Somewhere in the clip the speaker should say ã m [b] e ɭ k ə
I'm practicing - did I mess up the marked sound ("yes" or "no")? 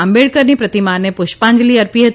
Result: no